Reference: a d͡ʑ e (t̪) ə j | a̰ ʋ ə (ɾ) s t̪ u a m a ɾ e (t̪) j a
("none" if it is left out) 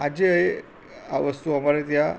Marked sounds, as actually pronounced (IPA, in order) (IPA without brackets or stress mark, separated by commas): none, none, t̪